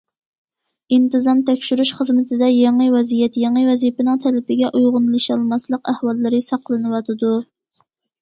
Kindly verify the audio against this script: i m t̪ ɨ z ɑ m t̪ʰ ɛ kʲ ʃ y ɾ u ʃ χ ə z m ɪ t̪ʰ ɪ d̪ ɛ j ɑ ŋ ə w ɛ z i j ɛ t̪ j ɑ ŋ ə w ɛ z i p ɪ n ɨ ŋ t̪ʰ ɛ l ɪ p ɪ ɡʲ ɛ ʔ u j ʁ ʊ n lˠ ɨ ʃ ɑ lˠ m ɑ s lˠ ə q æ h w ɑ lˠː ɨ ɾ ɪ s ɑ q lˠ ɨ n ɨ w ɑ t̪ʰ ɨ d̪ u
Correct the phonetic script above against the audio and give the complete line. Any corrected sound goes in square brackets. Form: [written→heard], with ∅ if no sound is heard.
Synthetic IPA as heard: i [m→n] t̪ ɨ z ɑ m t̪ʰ ɛ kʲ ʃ y ɾ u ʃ χ ə z m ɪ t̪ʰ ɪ d̪ ɛ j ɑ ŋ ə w ɛ z i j ɛ t̪ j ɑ ŋ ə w ɛ z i p ɪ n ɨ ŋ t̪ʰ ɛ l ɪ p ɪ ɡʲ ɛ ʔ u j ʁ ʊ n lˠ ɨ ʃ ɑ lˠ m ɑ s lˠ ə q æ h w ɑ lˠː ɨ ɾ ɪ s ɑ q lˠ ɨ n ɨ w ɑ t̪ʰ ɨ d̪ u